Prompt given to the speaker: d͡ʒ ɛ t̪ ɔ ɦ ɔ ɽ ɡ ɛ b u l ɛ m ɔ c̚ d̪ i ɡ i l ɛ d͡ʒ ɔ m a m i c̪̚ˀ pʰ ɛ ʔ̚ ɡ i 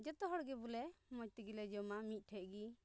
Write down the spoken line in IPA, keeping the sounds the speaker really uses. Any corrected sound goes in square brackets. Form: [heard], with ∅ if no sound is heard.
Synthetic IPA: d͡ʒ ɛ t̪ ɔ ɦ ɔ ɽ ɡ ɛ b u l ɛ m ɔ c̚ [t̪] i ɡ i l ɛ d͡ʒ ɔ m a m i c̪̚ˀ [ʈʰ] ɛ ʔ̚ ɡ i